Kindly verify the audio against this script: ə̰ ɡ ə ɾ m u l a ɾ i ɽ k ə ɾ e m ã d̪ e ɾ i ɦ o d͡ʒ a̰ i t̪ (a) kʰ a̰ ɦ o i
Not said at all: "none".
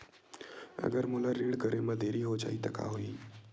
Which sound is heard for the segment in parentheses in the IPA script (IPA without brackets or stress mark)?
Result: ə